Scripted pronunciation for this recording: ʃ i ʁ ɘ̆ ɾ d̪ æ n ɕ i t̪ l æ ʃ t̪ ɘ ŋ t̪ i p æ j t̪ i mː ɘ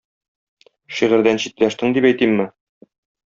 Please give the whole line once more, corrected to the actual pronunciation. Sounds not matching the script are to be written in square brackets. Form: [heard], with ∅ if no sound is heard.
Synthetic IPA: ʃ i ʁ ɘ̆ ɾ d̪ æ n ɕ i t̪ l æ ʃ t̪ ɘ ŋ [d̪] i p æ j t̪ i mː ɘ